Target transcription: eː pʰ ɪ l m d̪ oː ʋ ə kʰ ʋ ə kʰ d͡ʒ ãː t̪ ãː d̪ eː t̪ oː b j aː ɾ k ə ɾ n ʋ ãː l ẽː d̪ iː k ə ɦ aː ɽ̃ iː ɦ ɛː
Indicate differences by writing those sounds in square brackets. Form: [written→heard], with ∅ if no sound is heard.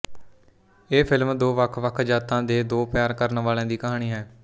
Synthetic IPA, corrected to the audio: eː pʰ ɪ l m d̪ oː ʋ ə kʰ ʋ ə kʰ d͡ʒ [ãː→aː] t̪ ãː d̪ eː [t̪→d̪] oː [b→p] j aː ɾ k ə ɾ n ʋ [ãː→aː] l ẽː d̪ iː k ə ɦ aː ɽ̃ iː ɦ ɛː